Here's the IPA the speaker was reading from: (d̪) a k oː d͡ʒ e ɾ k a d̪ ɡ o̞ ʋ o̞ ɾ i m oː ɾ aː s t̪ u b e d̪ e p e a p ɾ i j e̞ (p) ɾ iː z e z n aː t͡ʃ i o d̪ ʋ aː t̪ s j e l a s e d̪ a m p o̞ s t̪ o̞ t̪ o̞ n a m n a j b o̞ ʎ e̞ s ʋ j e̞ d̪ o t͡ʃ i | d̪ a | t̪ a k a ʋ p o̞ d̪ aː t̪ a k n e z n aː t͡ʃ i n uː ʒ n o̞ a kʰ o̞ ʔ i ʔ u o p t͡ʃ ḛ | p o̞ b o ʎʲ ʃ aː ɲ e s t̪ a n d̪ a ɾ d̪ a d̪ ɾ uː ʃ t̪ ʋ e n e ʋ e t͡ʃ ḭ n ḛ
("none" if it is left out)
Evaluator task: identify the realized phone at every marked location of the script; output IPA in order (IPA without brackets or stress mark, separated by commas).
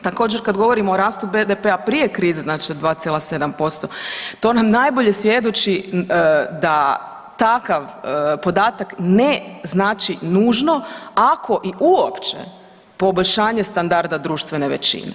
t̪, k